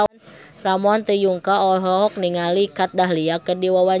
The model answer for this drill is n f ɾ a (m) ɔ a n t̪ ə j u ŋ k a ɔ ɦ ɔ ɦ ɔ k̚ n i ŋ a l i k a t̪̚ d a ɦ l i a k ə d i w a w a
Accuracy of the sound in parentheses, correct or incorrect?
correct